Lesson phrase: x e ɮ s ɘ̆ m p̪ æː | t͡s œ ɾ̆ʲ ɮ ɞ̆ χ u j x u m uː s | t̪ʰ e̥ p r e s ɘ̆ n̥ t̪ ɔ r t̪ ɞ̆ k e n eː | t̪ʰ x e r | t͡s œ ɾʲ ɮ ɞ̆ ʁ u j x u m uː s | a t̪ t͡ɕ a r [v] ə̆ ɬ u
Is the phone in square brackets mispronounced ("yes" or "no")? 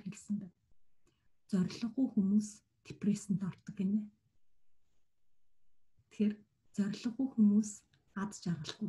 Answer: yes